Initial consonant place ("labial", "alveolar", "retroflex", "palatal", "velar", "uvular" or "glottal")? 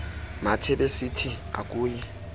labial